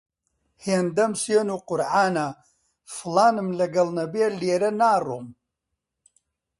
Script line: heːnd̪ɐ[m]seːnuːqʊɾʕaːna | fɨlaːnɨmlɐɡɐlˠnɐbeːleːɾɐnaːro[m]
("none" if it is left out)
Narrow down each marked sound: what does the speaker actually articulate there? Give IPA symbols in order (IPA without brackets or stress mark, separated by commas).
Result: m, m